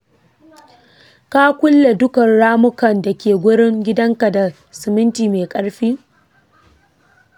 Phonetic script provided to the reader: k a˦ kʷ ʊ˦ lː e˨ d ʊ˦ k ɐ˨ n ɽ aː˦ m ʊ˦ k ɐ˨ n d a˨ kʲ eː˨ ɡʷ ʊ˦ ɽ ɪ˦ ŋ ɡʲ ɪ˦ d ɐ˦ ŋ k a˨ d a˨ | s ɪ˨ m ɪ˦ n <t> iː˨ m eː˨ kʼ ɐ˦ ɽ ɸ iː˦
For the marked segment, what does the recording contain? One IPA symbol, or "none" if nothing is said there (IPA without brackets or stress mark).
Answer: t